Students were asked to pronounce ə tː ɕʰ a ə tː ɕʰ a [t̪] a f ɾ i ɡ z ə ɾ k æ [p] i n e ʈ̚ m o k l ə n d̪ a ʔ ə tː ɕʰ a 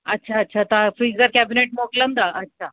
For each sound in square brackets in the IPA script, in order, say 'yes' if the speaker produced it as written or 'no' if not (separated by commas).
yes, no